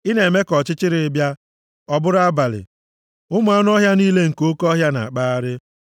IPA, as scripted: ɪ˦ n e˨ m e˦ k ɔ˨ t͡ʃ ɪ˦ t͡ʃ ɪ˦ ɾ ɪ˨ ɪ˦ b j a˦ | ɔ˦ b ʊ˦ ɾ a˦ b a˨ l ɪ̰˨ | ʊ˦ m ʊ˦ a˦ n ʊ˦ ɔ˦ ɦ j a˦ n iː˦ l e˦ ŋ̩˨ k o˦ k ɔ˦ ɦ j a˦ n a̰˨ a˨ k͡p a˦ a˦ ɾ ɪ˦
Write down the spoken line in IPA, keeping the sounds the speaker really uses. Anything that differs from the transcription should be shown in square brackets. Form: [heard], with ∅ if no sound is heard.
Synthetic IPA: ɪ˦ n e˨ m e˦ k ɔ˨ t͡ʃ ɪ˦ t͡ʃ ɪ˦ ɾ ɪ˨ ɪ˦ b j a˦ | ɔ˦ b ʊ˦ ɾ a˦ b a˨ l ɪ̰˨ | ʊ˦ m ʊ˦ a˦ n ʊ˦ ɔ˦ ɦ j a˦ n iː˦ l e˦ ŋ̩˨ k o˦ k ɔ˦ ɦ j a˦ n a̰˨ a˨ k͡p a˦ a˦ ɾ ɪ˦

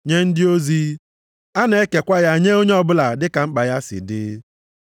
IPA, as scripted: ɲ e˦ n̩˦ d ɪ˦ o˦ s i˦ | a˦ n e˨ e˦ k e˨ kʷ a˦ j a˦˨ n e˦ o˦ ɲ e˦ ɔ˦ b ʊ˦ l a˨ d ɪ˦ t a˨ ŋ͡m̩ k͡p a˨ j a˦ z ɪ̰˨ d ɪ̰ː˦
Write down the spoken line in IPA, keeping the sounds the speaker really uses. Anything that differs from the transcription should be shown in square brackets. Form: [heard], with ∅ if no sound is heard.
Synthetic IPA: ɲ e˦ n̩˦ d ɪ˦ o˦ [z] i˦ | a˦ n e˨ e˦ k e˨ kʷ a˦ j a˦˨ [ɲ] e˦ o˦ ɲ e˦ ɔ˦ b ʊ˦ l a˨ d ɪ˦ [k] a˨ ŋ͡m̩ k͡p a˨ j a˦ [s] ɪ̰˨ d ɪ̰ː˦

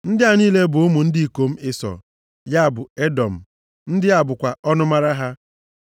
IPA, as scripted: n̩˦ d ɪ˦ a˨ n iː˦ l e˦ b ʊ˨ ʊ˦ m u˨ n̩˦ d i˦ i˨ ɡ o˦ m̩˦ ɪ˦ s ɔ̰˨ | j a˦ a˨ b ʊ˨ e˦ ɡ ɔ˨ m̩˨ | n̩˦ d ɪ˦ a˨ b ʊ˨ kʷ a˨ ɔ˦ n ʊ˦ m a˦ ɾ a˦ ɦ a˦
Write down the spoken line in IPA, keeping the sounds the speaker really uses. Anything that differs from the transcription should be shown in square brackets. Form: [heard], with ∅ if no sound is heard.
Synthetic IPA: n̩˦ d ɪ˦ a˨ n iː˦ l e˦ b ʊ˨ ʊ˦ m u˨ n̩˦ d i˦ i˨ [k] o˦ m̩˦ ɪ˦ s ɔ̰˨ | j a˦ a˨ b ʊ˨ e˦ [d] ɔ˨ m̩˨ | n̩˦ d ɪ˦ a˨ b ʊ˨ kʷ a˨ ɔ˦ n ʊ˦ m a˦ ɾ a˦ ɦ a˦

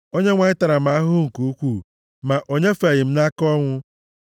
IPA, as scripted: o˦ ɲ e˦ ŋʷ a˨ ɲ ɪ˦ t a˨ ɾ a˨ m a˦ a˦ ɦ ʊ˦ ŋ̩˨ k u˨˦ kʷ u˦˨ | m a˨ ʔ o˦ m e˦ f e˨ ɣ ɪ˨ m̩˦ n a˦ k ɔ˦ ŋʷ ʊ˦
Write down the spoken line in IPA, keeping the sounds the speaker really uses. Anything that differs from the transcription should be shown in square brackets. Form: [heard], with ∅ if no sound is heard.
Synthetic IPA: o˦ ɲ e˦ ŋʷ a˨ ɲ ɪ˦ t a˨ ɾ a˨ m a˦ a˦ ɦ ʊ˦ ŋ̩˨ k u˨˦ kʷ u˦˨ | m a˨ ʔ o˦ [ɲ] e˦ f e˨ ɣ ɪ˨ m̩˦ n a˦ k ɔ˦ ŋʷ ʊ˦

